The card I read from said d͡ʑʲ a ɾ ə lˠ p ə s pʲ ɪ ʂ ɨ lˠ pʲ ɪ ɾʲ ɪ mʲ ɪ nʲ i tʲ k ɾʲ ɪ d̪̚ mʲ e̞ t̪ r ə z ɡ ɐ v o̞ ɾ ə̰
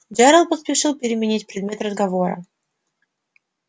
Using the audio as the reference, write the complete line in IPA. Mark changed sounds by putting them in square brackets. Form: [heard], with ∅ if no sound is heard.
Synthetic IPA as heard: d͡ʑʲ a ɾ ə lˠ p ə s pʲ ɪ ʂ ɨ lˠ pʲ ɪ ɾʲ ɪ mʲ ɪ nʲ i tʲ [p] ɾʲ ɪ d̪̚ mʲ e̞ t̪ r ə z ɡ ɐ v o̞ ɾ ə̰